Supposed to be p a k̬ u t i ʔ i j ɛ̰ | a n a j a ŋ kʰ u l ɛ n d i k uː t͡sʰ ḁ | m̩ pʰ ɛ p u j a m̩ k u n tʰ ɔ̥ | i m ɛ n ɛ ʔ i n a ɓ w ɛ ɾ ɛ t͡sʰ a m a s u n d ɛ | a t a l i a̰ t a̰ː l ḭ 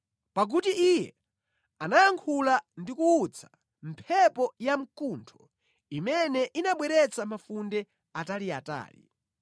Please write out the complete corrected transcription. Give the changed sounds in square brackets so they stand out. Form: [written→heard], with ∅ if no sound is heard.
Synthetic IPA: p a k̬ u t i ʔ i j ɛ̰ | a n a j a ŋ kʰ u l [ɛ→a] n d i k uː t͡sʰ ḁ | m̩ pʰ ɛ p [u→ɔ] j a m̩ k u n tʰ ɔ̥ | i m ɛ n ɛ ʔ i n a ɓ w ɛ ɾ ɛ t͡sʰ a m a [s→f] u n d ɛ | a t a l i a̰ t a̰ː l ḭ